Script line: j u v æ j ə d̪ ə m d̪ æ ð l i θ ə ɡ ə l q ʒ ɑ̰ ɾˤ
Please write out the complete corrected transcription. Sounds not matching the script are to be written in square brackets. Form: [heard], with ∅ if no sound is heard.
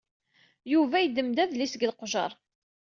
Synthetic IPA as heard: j u v æ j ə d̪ ə m d̪ æ ð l i [s] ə ɡ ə l q ʒ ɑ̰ ɾˤ